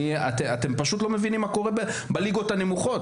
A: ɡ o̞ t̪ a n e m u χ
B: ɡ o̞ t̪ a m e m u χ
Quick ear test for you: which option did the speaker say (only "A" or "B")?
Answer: A